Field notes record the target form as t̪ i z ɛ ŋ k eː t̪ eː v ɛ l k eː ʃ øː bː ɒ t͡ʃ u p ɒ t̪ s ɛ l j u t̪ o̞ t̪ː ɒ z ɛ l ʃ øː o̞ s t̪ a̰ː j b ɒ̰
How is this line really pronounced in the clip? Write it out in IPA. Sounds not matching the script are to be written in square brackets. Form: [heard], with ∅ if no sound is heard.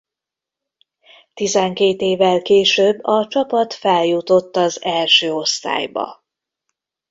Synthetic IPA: t̪ i z ɛ ŋ k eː t̪ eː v ɛ l k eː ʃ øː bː ɒ t͡ʃ [ɒ] p ɒ t̪ [f] ɛ l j u t̪ o̞ t̪ː ɒ z ɛ l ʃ øː o̞ s t̪ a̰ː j b ɒ̰